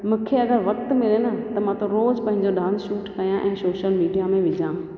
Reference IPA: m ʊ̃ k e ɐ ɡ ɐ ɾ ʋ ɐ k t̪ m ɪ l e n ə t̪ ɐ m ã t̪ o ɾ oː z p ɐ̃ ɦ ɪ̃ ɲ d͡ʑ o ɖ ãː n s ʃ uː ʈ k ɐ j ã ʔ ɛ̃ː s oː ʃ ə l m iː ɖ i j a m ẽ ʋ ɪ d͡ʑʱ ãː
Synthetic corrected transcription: m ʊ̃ kʰ e ɐ ɡ ə ɾ ʋ ɐ k t̪ m ɪ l e n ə t̪ ɐ m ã t̪ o ɾ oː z p ɐ̃ ɦ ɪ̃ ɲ d͡ʑ o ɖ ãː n s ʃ uː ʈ k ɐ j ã ʔ ɛ̃ː s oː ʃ ə l m iː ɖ i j a m ẽ ʋ ɪ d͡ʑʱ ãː